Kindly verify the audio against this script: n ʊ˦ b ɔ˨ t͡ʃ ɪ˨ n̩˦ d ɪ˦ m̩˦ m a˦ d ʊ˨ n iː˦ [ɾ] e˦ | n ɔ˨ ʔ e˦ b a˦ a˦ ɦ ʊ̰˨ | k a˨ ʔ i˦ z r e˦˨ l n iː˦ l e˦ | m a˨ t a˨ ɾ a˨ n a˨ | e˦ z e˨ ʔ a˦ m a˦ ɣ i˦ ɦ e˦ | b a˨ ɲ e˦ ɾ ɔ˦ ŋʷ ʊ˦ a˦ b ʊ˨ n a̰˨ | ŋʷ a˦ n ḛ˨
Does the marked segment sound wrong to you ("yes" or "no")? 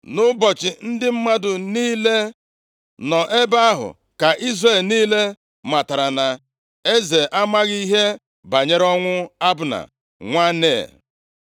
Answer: yes